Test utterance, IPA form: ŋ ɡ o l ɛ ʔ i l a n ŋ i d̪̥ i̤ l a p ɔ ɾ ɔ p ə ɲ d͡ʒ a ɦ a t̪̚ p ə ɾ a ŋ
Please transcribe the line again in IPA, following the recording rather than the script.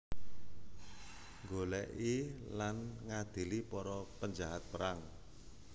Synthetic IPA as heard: ŋ ɡ o l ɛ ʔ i l a n ŋ a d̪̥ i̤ l i p ɔ ɾ ɔ p ə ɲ d͡ʒ a ɦ a t̪̚ p ə ɾ a ŋ

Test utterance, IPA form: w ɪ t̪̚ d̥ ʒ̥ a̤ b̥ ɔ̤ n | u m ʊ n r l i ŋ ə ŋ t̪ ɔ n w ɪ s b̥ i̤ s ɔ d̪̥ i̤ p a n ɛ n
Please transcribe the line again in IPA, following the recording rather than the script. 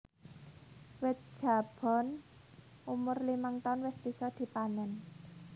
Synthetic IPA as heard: w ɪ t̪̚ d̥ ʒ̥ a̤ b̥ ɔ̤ n | u m ʊ r l i m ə ŋ t̪ ɔ n w ɪ s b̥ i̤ s ɔ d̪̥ i̤ p a n ɛ n

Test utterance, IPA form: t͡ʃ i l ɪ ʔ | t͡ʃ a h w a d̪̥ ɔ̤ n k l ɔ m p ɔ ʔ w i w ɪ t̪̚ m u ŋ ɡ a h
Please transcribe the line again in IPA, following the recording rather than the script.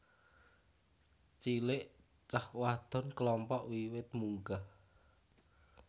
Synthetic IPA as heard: t͡ʃ i l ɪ ʔ | t͡ʃ a h w a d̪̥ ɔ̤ n k l ɔ m p ɔ ʔ w i w ɪ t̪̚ m u ŋ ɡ a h

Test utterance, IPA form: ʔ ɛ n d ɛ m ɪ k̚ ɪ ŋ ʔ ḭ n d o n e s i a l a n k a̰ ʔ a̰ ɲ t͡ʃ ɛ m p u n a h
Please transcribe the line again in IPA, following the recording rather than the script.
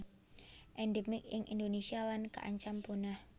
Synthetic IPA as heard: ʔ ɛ n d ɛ m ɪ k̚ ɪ ŋ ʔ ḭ n d o n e s i a l a n k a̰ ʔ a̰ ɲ t͡ʃ a m p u n a h

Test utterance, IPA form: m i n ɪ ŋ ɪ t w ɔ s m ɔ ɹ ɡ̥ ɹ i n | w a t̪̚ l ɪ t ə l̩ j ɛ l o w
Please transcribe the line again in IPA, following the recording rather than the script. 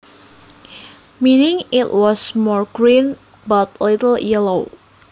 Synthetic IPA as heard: m i n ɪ ŋ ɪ t w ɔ s m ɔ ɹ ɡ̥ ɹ i n | b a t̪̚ l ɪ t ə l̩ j ɛ l o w

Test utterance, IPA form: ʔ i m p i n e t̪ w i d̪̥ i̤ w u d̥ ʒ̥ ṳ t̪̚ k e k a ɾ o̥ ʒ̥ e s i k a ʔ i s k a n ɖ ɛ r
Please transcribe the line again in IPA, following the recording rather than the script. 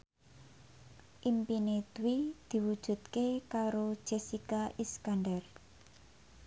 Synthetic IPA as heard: ʔ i m p i n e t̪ w i d̪̥ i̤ w u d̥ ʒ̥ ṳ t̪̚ k e k a ɾ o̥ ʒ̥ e s i k a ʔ i s k a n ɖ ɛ r

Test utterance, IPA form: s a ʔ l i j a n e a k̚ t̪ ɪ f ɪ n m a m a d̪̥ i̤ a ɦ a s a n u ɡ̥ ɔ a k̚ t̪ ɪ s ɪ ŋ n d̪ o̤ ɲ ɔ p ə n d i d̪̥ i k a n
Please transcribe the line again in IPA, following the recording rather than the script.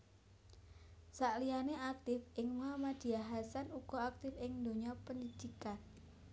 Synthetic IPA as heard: s a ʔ l i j a n e a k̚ t̪ ɪ f ɪ ŋ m a m a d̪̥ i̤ a ɦ a s a n u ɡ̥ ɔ a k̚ t̪ ɪ f ɪ ŋ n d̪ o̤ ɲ ɔ p ə n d i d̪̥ i k a n

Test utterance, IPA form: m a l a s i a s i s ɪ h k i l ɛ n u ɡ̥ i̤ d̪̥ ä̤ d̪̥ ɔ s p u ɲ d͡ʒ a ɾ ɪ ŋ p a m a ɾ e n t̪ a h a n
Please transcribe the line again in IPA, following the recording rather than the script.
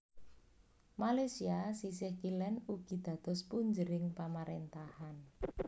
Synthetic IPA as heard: m a l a s i a s i s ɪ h k i l ɛ n u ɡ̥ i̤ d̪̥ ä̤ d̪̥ ɔ s p u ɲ d͡ʒ ə ɾ ɪ ŋ p a m a ɾ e n t̪ a h a n

